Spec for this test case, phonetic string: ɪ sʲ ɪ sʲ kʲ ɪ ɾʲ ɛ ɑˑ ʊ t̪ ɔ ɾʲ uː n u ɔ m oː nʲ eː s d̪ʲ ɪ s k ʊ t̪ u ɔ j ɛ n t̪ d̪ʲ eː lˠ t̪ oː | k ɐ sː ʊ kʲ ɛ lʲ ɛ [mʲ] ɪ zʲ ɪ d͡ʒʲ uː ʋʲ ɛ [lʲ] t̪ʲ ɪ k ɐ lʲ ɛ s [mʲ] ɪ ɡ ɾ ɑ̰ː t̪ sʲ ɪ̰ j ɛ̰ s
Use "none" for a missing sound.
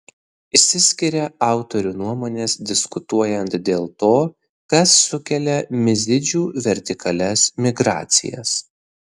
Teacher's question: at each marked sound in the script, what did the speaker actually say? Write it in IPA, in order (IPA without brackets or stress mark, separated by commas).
mʲ, ɾʲ, mʲ